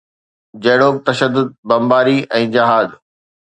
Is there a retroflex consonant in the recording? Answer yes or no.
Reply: yes